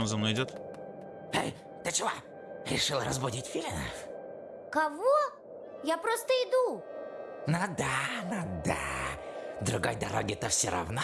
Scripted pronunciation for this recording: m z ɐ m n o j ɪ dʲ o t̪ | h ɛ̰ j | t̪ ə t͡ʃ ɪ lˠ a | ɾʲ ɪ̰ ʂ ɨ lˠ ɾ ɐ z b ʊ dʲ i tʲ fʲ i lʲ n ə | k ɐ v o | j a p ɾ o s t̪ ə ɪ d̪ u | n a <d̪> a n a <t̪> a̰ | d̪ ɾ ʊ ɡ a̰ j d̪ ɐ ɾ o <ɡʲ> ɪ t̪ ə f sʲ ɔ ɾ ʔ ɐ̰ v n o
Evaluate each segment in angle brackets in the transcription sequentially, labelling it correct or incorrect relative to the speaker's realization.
correct, incorrect, correct

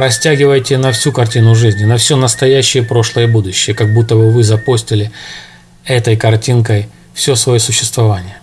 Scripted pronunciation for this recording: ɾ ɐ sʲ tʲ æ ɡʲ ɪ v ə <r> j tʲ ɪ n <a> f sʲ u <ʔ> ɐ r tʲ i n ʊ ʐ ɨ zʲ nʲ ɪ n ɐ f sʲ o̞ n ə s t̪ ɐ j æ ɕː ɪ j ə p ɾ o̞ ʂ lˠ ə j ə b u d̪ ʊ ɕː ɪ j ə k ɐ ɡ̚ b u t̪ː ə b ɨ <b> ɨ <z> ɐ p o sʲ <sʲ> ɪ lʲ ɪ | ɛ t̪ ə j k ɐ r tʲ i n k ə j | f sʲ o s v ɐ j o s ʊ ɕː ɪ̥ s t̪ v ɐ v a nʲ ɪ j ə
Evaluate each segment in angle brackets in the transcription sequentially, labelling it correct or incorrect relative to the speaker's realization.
incorrect, incorrect, incorrect, incorrect, correct, incorrect

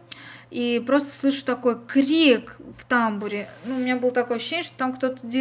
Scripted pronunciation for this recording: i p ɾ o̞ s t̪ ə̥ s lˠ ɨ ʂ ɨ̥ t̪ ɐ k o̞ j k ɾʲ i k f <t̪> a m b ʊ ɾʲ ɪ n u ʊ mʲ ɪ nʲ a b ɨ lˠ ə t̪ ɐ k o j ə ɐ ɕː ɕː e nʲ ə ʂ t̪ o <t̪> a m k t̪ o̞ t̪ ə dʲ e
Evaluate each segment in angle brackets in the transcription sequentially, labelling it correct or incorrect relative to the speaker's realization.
correct, correct

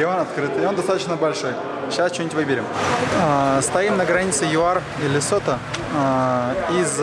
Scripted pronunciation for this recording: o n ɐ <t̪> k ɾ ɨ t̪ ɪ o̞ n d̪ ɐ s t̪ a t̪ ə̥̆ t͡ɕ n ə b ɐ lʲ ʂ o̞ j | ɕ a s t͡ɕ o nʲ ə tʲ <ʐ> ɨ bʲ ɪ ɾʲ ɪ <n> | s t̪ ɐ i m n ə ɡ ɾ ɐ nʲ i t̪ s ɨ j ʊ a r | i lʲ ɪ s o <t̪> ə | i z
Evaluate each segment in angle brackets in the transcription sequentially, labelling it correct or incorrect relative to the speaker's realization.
correct, incorrect, incorrect, correct

